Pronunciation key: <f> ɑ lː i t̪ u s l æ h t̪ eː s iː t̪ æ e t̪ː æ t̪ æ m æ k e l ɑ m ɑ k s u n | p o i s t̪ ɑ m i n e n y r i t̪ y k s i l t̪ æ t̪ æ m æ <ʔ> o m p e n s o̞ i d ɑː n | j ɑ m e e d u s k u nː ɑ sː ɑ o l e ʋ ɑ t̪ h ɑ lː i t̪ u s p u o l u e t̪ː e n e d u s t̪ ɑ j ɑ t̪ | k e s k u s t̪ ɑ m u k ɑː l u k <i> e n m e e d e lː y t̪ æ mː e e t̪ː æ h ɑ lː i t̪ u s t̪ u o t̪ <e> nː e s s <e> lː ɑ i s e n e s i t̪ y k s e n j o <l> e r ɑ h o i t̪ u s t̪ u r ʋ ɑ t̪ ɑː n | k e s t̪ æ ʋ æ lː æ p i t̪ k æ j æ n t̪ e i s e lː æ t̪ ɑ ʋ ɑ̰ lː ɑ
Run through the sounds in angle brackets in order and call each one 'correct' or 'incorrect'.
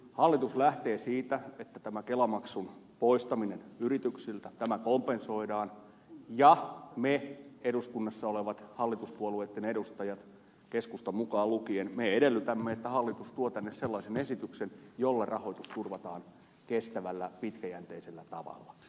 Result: incorrect: h, incorrect: k, correct, incorrect: æ, correct, incorrect: lː

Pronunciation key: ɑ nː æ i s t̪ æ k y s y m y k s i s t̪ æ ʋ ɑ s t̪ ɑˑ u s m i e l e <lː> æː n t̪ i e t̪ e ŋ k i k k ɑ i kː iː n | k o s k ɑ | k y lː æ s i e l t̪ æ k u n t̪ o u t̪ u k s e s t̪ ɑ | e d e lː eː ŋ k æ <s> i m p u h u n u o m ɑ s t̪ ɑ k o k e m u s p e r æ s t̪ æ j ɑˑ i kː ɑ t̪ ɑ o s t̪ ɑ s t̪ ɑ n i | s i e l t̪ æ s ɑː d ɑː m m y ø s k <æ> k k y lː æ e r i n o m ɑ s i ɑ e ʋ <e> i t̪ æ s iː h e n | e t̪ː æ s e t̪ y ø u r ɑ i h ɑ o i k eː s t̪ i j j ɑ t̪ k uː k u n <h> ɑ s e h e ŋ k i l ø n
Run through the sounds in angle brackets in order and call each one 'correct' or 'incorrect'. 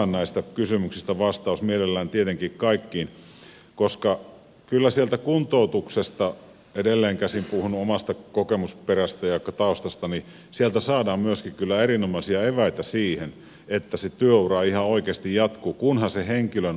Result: correct, correct, incorrect: i, incorrect: æ, correct

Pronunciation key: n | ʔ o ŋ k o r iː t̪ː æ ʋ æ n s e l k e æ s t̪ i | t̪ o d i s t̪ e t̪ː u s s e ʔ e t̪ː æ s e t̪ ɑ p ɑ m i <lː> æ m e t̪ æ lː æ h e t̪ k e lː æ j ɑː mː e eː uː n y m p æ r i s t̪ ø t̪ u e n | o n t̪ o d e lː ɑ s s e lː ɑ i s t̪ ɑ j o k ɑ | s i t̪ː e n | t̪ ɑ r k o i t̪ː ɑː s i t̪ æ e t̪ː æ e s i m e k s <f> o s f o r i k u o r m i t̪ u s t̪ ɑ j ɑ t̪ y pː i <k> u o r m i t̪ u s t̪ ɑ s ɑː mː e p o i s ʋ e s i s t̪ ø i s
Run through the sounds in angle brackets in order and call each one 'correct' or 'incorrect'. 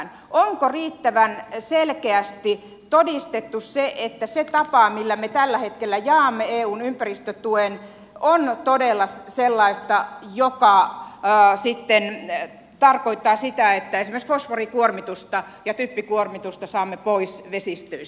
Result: correct, correct, correct

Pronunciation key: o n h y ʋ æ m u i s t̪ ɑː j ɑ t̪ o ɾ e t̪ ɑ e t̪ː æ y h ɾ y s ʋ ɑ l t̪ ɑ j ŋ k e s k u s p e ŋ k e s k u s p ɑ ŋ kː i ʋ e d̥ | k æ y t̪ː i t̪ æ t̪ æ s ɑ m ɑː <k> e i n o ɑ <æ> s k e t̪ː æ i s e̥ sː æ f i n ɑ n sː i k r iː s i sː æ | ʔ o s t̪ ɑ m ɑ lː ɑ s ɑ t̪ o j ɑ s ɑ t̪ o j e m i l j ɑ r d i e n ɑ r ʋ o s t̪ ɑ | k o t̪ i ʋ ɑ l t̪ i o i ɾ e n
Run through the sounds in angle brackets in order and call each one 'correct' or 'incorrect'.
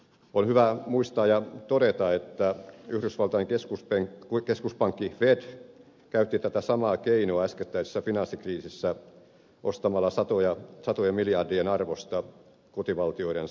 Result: correct, correct

